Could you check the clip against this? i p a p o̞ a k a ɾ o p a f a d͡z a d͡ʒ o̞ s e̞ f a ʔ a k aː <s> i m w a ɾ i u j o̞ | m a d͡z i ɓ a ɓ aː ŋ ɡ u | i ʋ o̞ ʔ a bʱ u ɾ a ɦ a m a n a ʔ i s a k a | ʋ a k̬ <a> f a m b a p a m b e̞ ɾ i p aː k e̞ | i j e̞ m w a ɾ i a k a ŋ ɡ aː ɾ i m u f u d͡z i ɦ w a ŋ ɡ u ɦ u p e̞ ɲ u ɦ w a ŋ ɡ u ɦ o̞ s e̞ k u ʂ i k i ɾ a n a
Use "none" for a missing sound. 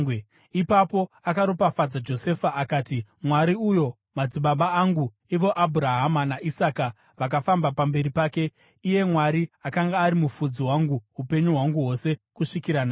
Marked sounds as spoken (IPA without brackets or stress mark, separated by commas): t, a